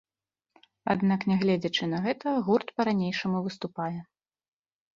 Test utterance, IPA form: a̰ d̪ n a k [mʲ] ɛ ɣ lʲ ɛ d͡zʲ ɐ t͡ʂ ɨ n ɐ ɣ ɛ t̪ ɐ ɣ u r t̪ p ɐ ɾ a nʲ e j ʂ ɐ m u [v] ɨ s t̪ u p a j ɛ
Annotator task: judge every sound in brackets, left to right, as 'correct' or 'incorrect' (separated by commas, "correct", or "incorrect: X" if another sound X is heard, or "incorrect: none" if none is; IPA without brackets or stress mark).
incorrect: nʲ, correct